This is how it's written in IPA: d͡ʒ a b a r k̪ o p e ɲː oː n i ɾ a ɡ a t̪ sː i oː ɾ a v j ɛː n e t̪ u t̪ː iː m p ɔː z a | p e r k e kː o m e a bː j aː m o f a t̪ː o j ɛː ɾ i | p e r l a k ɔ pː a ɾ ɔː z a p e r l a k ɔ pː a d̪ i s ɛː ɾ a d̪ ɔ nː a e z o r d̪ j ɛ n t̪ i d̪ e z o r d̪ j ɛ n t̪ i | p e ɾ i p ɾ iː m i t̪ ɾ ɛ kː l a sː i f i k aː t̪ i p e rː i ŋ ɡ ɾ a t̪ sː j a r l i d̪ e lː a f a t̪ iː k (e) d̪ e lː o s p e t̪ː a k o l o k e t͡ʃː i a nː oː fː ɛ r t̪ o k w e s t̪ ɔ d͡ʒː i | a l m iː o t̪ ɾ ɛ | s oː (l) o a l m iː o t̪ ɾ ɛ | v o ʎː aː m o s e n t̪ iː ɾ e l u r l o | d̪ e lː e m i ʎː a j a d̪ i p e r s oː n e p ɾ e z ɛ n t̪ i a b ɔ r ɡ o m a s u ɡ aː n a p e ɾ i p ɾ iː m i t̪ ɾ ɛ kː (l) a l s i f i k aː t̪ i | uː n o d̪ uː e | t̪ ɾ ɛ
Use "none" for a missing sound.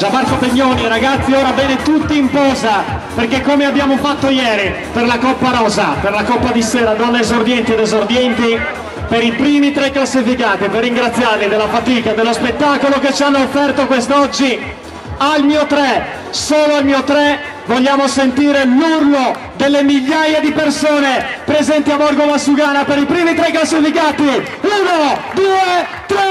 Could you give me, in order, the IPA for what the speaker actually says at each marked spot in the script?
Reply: a, l, l

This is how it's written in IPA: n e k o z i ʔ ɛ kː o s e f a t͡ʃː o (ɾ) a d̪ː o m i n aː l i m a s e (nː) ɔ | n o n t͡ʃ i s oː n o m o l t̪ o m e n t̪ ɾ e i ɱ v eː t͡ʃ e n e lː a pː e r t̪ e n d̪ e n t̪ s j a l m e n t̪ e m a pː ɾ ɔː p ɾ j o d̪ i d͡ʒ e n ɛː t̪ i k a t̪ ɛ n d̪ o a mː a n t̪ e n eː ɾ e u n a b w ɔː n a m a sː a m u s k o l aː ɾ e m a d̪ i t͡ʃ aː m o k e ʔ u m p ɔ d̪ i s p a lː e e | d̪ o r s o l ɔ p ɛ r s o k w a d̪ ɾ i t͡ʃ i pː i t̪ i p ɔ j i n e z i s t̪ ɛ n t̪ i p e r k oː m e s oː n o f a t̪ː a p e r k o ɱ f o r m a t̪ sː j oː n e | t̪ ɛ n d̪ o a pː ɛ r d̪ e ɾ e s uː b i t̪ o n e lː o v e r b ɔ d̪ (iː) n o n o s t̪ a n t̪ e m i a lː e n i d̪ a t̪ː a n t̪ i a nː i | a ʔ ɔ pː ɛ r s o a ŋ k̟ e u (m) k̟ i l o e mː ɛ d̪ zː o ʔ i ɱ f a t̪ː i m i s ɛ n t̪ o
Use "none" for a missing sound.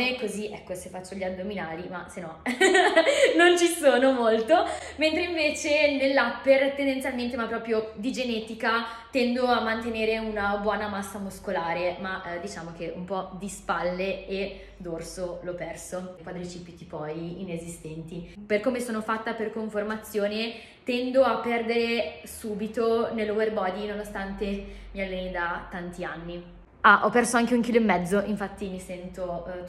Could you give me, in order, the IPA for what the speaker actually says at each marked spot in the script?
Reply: ʎ, n, i, ŋ

